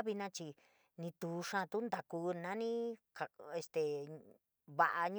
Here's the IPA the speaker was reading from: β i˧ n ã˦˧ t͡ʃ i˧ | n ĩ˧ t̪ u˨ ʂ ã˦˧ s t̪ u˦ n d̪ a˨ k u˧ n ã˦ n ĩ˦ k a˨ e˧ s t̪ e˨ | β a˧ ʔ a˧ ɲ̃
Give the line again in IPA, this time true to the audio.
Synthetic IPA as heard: β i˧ n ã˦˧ t͡ʃ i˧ | n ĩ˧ t̪ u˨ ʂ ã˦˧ t̪ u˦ n d̪ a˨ k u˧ n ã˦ n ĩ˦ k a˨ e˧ s t̪ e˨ | β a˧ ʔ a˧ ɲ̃